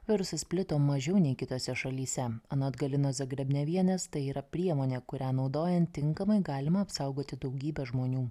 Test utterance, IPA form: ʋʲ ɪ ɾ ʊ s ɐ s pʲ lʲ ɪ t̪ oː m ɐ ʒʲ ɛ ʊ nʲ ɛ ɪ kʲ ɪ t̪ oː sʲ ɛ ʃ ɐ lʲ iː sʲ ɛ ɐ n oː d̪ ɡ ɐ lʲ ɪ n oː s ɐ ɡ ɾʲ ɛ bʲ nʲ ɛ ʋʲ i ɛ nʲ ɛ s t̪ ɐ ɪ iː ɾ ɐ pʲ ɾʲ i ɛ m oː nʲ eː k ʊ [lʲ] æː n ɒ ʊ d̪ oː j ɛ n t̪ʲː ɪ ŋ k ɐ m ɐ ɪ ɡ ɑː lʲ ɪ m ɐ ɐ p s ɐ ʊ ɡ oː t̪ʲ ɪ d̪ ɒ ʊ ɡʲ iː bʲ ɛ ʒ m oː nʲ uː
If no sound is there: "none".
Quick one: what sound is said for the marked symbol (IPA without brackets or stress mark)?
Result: ɾʲ